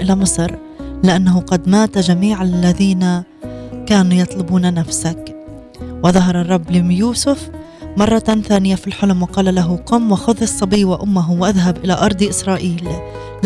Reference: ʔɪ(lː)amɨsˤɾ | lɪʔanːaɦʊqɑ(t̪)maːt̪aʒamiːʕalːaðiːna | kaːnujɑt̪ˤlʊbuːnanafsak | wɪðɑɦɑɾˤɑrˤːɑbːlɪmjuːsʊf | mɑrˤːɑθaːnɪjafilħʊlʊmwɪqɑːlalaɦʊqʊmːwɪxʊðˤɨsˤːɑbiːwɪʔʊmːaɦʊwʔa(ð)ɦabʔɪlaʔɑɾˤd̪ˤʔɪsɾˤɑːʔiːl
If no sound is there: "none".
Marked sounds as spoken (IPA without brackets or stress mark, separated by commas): l, d̪, ð